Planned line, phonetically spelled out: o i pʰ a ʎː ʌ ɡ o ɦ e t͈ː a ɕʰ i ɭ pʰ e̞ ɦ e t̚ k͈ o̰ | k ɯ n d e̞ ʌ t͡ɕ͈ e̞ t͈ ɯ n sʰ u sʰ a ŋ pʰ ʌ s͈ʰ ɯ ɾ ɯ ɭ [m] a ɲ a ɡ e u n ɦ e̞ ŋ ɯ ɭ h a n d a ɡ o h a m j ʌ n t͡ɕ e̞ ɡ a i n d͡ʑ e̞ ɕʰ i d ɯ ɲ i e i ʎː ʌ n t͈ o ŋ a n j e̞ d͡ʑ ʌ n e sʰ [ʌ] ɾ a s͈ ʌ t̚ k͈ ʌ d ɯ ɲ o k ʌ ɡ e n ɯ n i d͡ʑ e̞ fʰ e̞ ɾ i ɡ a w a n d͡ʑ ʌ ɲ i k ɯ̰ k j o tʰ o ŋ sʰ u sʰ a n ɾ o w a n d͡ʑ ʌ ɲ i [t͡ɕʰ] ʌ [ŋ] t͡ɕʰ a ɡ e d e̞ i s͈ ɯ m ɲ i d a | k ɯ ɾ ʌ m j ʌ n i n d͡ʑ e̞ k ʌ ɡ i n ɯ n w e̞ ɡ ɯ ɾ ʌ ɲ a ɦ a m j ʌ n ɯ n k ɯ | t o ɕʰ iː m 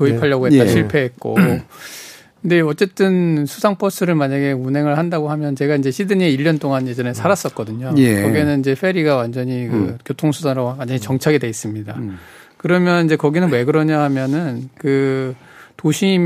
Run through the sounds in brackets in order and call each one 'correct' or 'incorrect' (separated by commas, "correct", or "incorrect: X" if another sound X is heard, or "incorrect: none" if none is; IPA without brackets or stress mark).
correct, incorrect: a, incorrect: t͡ɕ, correct